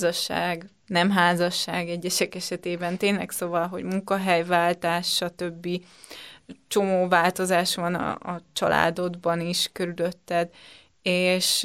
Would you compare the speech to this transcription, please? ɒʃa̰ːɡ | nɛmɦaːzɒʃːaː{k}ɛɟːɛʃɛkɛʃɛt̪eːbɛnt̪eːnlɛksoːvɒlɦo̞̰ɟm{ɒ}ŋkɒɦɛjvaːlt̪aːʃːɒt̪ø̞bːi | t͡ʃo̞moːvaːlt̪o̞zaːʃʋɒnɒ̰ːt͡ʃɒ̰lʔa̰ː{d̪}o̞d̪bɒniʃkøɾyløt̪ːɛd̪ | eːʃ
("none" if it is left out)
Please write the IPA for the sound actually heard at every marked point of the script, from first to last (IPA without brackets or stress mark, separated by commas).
ɡ, u, d̪